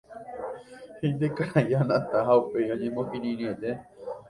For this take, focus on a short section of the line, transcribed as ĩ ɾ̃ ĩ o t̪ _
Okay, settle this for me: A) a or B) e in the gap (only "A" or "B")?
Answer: B